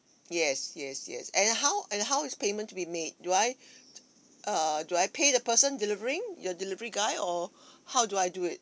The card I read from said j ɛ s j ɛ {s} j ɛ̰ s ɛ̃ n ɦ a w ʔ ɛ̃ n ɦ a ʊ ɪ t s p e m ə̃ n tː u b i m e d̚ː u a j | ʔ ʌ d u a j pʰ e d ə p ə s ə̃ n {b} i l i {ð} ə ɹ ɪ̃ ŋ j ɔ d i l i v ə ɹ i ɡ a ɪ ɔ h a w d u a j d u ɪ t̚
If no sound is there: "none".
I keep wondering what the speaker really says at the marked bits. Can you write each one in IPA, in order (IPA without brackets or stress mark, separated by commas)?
s, d, v